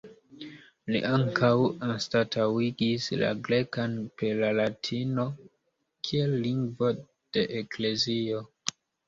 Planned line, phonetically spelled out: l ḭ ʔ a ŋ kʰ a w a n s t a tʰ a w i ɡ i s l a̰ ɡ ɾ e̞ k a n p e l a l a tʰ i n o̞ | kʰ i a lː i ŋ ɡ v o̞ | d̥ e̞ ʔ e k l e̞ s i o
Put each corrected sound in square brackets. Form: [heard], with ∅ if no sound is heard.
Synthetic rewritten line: l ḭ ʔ a ŋ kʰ a w a n s t a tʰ a w i ɡ i s l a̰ ɡ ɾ e̞ k a n p e l a l a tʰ i n o̞ | kʰ i [e] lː i ŋ ɡ v o̞ | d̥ e̞ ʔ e k l e̞ [z] i o